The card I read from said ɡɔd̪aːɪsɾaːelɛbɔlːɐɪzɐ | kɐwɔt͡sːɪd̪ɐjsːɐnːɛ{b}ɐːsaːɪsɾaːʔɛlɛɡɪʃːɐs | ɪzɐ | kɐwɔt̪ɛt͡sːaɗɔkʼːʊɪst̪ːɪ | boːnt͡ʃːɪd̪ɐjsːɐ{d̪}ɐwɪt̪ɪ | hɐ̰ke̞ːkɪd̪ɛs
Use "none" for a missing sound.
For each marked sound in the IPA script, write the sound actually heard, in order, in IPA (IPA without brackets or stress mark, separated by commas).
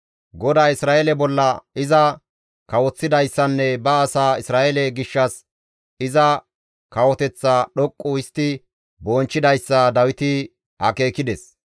b, d̪